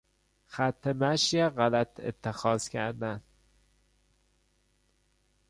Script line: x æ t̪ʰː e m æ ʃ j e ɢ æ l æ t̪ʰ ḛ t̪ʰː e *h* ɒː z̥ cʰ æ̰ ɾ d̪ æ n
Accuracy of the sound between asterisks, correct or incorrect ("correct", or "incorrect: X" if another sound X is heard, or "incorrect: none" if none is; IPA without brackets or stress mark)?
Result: incorrect: x